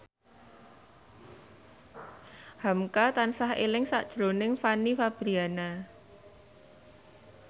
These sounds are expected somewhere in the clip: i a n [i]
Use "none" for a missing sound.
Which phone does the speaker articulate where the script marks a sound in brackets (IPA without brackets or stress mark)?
a